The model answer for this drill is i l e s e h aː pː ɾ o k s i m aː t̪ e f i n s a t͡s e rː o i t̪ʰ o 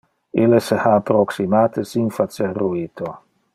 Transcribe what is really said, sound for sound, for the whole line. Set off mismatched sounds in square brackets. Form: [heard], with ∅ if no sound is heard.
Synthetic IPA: i l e s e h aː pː ɾ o k s i m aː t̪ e [s] i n [f] a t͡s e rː [u] i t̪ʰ o